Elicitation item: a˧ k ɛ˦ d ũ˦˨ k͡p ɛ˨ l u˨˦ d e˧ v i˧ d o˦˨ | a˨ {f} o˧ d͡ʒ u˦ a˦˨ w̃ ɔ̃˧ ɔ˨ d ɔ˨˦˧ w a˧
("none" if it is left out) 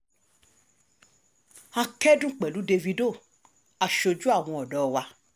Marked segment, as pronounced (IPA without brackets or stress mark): ʃ